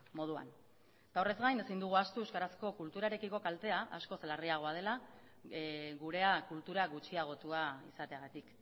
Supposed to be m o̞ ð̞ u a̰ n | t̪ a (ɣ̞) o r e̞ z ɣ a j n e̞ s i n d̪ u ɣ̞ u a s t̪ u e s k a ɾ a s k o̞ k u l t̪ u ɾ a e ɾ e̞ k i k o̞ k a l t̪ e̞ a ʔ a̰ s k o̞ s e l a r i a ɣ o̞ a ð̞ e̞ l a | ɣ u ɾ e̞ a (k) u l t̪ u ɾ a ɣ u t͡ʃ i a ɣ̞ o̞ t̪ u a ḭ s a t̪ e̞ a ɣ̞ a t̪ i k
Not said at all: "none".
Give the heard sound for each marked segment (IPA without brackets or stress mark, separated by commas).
none, k